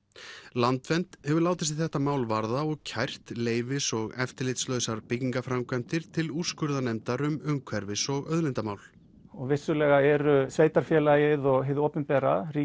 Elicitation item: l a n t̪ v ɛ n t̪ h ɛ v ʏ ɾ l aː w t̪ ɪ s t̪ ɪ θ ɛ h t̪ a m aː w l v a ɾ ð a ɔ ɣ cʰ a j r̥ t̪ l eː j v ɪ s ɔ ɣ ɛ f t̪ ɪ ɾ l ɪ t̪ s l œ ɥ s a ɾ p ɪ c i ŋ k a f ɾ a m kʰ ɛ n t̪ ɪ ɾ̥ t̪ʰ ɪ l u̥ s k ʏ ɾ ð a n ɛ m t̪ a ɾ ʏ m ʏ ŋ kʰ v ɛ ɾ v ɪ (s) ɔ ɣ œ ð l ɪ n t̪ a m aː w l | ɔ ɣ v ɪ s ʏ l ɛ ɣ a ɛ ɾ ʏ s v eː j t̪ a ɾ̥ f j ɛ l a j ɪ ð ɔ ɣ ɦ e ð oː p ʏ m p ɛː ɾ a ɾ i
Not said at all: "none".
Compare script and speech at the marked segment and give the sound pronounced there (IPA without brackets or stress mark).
s